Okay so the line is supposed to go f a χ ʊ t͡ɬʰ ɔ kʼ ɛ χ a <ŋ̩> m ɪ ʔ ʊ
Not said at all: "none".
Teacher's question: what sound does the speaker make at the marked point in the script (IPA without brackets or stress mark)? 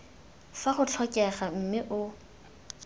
m̩